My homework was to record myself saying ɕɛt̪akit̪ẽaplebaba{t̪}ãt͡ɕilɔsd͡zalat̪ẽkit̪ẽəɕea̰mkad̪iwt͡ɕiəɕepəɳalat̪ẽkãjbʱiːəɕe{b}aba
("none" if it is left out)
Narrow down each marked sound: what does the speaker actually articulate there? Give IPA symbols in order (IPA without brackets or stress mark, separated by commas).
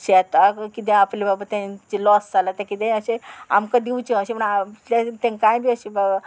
t̪, b